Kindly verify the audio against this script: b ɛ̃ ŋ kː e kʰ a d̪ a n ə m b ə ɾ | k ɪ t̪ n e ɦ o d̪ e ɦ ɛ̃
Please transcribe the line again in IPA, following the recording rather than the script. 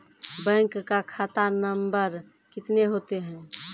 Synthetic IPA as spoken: b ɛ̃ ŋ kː a kʰ a t̪ a n ə m b ə ɾ | k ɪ t̪ n e ɦ o t̪ e ɦ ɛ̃